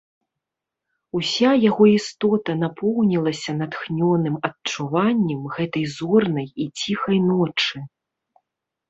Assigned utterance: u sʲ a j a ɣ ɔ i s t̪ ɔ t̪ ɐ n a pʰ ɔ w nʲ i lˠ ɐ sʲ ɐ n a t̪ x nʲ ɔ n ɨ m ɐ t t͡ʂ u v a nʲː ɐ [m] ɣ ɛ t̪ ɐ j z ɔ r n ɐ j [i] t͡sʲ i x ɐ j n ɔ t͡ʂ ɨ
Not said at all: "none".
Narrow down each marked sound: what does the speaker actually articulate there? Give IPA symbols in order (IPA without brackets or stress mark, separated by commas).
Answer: m, i